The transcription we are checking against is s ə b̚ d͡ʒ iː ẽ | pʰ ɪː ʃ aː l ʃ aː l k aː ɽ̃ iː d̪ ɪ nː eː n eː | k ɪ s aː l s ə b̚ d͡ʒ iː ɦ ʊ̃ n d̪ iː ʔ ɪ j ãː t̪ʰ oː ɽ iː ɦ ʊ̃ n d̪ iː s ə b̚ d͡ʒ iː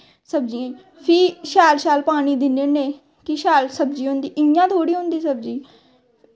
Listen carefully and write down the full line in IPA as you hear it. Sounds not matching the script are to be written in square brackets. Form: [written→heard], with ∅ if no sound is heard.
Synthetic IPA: s ə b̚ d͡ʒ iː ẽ | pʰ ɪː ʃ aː l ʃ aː l [k→p] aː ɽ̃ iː d̪ ɪ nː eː n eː | k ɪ [s→ʃ] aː l s ə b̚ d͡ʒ iː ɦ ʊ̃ n d̪ iː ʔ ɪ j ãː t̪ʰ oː ɽ iː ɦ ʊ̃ n d̪ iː s ə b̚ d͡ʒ iː